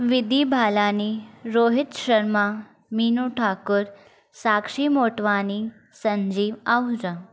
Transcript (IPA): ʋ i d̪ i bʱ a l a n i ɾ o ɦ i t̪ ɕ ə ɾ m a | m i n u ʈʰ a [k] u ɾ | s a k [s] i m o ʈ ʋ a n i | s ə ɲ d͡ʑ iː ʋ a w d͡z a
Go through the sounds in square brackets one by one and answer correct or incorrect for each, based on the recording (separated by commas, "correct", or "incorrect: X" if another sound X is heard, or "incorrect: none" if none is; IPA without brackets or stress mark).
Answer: correct, incorrect: ʂ